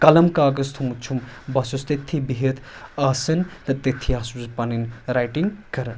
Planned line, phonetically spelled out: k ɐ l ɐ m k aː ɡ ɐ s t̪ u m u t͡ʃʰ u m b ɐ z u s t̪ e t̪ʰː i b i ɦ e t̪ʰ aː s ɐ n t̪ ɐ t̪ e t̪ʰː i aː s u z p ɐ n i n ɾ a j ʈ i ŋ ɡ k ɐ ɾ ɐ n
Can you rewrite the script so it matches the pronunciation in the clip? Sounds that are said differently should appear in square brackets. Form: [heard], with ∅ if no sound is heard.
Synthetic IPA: k ɐ l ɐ m k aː ɡ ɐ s [t̪ʰ] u m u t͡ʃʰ u m b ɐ [s] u s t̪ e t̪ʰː i b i ɦ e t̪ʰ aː s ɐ n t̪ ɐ t̪ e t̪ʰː i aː s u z p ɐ n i n ɾ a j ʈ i ŋ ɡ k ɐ ɾ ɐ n